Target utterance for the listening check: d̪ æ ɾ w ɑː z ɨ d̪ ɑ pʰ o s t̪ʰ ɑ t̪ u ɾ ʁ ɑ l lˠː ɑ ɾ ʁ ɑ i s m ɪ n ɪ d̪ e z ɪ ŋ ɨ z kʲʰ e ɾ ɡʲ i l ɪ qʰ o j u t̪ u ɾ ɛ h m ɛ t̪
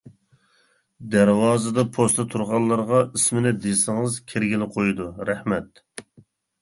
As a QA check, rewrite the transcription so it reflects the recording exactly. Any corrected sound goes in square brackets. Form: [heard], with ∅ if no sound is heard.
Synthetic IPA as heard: d̪ æ ɾ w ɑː z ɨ d̪ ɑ pʰ o s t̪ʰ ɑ [t̪ʰ] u ɾ ʁ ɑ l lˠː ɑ ɾ ʁ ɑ i s m ɪ n ɪ d̪ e [s] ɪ ŋ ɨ z kʲʰ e ɾ ɡʲ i l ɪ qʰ o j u [d̪] u ɾ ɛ h m ɛ t̪